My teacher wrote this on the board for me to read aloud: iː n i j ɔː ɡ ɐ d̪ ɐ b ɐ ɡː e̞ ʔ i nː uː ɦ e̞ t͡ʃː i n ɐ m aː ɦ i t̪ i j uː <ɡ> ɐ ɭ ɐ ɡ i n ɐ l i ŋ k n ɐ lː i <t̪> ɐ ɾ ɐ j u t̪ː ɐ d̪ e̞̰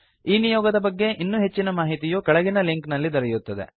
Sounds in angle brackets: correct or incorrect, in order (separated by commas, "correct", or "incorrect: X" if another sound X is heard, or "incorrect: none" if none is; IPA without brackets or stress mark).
incorrect: k, incorrect: d̪